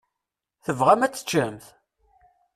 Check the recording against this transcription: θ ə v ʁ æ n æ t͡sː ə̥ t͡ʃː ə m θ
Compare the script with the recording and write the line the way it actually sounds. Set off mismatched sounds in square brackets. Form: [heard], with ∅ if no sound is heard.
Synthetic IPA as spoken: θ ə v ʁ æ [m] æ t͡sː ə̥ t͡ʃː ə m θ